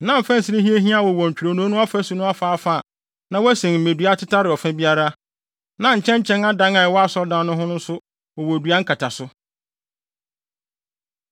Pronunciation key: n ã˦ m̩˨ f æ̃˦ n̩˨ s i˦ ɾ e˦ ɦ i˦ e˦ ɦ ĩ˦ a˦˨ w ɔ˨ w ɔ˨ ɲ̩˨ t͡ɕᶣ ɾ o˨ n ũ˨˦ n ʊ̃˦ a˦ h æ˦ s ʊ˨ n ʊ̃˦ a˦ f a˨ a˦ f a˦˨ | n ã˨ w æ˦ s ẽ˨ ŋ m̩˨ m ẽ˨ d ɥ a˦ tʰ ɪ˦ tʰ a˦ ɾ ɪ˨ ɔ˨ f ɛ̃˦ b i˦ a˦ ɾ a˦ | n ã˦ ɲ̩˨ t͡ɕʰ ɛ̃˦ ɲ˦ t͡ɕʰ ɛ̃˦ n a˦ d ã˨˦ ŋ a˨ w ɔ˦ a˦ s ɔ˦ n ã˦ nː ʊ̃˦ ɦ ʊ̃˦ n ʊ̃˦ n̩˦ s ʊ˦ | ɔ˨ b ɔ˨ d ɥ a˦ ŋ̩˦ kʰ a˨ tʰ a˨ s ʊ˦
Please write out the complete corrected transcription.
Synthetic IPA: n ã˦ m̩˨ f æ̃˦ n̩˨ s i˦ ɾ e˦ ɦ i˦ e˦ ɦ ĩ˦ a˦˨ w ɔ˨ w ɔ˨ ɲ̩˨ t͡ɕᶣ ɾ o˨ n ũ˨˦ n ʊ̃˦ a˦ f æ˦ s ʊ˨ n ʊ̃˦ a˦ f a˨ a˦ f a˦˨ | n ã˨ w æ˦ s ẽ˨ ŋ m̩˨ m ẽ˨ d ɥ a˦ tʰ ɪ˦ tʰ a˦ ɾ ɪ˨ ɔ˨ f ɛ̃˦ b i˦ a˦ ɾ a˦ | n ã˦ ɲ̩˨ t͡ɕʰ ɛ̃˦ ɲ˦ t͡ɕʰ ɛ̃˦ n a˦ d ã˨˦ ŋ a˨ w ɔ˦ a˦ s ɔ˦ d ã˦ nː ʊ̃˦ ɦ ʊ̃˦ n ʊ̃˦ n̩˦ s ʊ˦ | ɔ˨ w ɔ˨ d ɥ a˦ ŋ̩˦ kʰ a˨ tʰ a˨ s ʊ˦